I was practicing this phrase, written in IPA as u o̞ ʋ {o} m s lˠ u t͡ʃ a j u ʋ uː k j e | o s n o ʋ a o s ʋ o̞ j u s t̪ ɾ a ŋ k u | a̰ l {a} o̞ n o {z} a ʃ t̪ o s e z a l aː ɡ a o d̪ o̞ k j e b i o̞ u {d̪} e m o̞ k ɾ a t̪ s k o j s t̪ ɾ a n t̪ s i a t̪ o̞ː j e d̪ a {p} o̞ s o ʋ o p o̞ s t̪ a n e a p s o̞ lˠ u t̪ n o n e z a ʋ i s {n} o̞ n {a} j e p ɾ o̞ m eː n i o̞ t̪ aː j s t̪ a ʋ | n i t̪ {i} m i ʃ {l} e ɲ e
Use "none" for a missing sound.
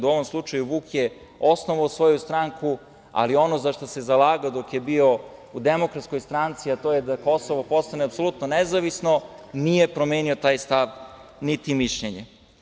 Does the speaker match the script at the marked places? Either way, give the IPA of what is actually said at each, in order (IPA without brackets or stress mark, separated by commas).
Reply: o, i, z, d̪, k, n, i, i, ʎ